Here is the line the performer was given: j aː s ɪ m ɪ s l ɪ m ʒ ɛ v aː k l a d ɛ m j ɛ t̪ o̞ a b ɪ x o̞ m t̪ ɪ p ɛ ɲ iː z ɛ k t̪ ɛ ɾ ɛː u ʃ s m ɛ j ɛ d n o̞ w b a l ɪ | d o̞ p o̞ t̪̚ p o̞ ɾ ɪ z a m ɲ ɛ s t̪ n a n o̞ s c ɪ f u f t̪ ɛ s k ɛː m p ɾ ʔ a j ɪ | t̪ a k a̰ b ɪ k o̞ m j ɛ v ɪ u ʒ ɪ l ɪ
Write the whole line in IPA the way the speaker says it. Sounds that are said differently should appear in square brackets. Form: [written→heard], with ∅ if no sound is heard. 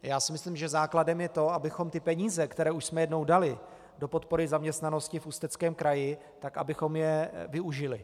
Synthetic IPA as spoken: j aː s ɪ m ɪ s l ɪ m ʒ ɛ [v→z] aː k l a d ɛ m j ɛ t̪ o̞ a b ɪ x o̞ m t̪ ɪ p ɛ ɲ iː z ɛ k t̪ ɛ ɾ ɛː u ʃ s m ɛ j ɛ d n o̞ w [b→d] a l ɪ | d o̞ p o̞ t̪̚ p o̞ ɾ ɪ z a m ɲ ɛ s t̪ n a n o̞ s c ɪ f u [f→s] t̪ ɛ [s→t͡s] k ɛː m [p→k] ɾ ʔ a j ɪ | t̪ a k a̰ b ɪ [k→x] o̞ m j ɛ v ɪ u ʒ ɪ l ɪ